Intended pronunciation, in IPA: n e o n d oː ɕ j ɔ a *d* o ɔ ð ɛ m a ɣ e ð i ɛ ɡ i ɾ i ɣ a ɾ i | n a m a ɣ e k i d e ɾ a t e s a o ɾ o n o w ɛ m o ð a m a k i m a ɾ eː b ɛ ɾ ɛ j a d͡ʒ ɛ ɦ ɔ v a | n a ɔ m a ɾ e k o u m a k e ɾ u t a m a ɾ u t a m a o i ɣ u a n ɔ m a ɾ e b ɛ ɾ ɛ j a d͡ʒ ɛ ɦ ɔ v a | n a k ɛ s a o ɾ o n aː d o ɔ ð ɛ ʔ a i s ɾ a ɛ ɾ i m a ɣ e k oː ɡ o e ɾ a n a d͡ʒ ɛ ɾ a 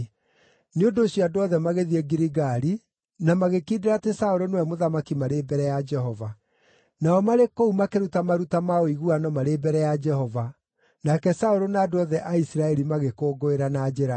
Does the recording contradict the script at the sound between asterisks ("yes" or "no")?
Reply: no